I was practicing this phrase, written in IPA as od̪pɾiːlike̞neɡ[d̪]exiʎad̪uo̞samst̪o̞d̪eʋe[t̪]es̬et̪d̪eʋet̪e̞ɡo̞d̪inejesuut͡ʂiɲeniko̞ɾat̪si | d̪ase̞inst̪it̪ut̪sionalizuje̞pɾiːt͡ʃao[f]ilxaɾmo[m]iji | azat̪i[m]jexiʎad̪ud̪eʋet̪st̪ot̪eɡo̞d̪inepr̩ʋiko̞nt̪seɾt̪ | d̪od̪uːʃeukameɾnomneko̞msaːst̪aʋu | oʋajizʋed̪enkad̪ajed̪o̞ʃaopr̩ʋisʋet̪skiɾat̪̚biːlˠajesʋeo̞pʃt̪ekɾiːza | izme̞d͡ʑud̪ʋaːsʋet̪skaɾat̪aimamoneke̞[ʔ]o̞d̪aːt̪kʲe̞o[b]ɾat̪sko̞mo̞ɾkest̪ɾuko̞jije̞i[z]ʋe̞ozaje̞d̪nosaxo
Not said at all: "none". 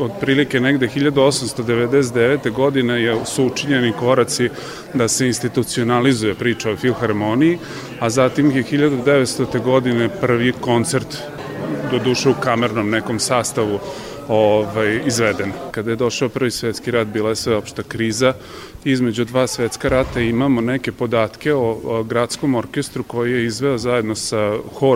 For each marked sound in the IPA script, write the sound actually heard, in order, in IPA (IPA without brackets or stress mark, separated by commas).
d̪, d̪, f, n, m, p, ɡ, z